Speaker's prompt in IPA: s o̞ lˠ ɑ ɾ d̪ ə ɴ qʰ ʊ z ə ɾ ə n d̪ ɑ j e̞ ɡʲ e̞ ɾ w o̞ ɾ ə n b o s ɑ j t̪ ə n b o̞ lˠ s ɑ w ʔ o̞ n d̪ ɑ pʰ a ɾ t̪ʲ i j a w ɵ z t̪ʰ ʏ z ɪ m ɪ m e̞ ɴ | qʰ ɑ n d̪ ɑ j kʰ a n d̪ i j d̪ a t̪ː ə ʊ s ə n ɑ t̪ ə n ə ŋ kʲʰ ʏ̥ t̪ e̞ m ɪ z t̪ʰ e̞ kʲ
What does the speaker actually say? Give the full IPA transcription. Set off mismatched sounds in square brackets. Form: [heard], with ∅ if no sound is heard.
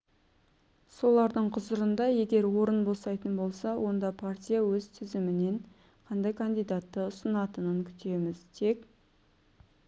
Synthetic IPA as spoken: s o̞ lˠ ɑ ɾ d̪ ə ɴ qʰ ʊ z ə ɾ ə n d̪ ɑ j e̞ ɡʲ e̞ ɾ w o̞ ɾ ə n b o s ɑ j t̪ ə n b o̞ lˠ s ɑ w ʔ o̞ n d̪ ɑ pʰ a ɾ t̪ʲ i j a w ɵ z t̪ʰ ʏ z ɪ m ɪ [n] e̞ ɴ | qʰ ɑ n d̪ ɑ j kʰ a n d̪ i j d̪ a t̪ː ə ʊ s ə n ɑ t̪ ə n ə ŋ kʲʰ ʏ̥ t̪ e̞ m ɪ z t̪ʰ e̞ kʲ

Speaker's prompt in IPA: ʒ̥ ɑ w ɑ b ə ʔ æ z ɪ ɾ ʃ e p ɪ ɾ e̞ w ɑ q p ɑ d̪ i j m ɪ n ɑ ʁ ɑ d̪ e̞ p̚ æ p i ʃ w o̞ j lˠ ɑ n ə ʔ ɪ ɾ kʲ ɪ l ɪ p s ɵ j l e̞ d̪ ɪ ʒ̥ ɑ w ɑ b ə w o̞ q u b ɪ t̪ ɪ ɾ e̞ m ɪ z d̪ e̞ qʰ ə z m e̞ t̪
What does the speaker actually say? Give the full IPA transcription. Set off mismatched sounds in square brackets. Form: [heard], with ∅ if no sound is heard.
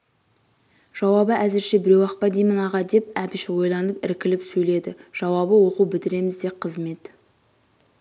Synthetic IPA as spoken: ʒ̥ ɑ w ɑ b ə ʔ æ z ɪ ɾ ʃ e [b] ɪ ɾ e̞ w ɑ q p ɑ d̪ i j m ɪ n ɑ ʁ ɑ d̪ e̞ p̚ æ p [ɪ] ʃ w o̞ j lˠ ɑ n ə [p] ɪ ɾ kʲ ɪ l ɪ p s ɵ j l e̞ d̪ ɪ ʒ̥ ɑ w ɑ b ə w o̞ q u b ɪ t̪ ɪ ɾ e̞ m ɪ z d̪ e̞ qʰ ə z m e̞ t̪

